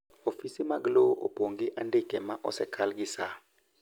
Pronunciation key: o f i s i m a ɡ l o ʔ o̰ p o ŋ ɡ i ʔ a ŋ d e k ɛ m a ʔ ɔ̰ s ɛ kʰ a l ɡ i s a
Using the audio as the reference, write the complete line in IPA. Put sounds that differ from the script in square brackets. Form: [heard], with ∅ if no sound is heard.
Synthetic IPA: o f i s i m a ɡ l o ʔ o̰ p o ŋ ɡ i ʔ a [n] d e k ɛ m a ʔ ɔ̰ s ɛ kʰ a l ɡ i s a